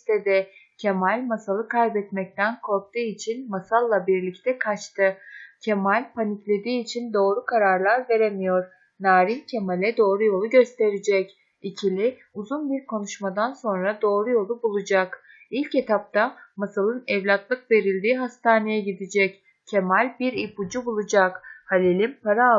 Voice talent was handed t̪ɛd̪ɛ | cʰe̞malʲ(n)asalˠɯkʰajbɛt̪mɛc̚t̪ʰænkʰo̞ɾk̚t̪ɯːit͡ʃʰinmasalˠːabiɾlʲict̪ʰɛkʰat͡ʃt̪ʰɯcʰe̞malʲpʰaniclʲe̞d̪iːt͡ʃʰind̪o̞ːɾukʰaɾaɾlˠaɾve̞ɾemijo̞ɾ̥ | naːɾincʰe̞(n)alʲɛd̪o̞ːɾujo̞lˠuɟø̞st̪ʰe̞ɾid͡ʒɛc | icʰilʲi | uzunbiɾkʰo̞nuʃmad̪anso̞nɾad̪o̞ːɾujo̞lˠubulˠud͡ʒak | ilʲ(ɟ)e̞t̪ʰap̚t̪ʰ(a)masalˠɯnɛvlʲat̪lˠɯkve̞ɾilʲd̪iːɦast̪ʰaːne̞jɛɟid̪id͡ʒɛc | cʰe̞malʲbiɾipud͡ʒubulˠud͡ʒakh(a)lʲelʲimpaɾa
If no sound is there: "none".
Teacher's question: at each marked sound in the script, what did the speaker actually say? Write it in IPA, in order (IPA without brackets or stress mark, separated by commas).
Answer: m, m, c, a, a